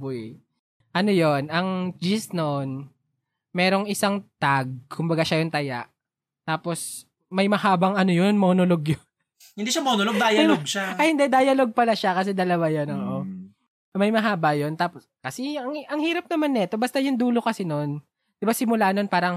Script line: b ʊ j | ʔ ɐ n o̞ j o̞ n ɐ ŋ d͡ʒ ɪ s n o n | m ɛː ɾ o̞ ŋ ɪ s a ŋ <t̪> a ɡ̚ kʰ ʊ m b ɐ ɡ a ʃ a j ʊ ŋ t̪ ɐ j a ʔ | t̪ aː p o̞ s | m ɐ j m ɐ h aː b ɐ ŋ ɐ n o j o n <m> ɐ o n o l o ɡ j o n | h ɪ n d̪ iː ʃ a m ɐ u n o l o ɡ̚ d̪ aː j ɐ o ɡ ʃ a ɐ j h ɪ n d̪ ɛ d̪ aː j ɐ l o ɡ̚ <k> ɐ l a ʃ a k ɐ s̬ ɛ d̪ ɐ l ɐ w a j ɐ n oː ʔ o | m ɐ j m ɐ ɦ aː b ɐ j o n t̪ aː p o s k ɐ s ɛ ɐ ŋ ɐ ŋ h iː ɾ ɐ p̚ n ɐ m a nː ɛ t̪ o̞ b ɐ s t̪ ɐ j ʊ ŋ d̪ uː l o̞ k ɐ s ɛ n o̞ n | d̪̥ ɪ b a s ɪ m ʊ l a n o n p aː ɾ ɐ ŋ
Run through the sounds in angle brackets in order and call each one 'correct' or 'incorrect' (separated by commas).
correct, correct, incorrect